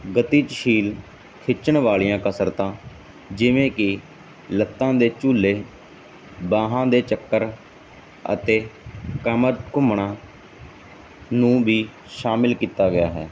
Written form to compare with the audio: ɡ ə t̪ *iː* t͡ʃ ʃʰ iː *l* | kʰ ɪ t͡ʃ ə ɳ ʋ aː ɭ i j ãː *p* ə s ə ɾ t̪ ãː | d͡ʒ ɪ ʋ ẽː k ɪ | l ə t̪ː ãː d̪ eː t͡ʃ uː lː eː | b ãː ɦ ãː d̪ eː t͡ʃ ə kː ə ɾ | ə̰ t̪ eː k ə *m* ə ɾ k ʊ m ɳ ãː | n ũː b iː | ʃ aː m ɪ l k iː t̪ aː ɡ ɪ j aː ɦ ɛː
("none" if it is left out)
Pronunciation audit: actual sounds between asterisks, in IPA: iː, l, k, m

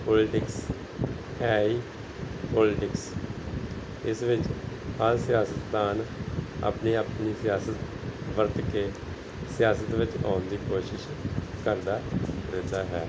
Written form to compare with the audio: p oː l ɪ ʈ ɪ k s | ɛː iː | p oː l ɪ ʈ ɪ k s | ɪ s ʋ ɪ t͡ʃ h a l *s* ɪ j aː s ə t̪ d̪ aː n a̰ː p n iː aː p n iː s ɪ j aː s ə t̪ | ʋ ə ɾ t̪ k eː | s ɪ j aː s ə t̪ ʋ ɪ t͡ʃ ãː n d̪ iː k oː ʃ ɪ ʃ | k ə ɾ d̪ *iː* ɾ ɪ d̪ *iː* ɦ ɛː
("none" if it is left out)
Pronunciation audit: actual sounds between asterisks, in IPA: s, aː, aː

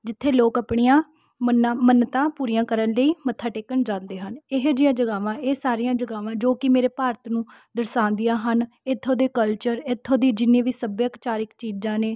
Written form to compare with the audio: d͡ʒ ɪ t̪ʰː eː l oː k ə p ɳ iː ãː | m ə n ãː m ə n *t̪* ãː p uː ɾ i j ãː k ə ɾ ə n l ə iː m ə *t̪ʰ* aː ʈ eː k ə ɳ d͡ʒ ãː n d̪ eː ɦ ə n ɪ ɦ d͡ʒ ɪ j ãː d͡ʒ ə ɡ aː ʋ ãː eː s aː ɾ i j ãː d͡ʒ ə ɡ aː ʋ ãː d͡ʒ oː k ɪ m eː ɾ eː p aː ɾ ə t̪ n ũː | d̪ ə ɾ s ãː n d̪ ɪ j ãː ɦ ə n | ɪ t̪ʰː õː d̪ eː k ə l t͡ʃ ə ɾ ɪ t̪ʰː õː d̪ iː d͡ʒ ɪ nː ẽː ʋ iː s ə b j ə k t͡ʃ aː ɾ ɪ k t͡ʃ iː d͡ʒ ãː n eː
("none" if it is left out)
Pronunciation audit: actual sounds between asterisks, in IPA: t̪, t̪ʰ

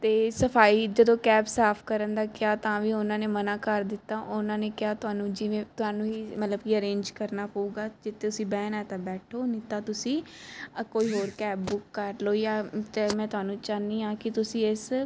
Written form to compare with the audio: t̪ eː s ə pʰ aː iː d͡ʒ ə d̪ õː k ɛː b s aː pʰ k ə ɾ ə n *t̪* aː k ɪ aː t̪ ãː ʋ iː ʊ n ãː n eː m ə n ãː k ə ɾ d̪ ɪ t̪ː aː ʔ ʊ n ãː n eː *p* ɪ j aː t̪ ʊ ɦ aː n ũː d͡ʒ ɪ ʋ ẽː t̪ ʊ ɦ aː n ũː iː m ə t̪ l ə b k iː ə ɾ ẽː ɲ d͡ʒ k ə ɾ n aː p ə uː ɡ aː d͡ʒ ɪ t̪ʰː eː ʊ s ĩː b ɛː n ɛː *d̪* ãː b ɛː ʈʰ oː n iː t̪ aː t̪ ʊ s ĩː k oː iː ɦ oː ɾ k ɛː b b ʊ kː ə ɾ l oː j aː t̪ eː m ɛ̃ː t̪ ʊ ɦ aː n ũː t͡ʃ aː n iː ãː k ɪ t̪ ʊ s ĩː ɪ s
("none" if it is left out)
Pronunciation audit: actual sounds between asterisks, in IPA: d̪, k, t̪

